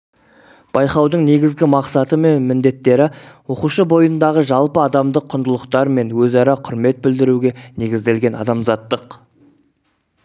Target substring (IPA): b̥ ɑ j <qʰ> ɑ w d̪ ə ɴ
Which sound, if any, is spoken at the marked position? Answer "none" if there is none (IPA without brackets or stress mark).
q